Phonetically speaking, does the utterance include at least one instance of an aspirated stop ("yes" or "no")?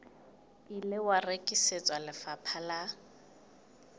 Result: yes